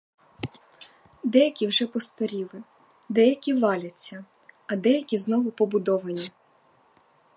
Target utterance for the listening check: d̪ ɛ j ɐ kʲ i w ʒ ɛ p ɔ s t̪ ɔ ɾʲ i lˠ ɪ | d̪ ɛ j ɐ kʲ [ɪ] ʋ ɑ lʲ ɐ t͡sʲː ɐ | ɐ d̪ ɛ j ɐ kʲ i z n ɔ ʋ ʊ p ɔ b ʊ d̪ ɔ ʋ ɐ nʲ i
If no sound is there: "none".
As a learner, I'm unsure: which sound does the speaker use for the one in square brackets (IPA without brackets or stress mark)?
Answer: i